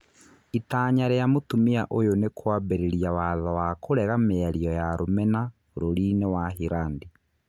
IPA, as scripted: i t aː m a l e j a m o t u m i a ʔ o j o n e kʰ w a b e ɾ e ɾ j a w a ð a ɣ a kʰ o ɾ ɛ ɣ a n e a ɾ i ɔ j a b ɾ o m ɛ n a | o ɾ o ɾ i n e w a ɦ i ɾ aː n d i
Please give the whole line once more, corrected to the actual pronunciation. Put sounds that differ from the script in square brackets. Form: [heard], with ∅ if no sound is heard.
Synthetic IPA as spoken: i t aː [ɲ] a [ɾ] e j a m o t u m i a ʔ o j o n e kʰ w a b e ɾ e ɾ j a w a ð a [w] a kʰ o ɾ ɛ ɣ a [m] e a ɾ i ɔ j a [∅] ɾ o m ɛ n a | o ɾ o ɾ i n e w a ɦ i ɾ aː n d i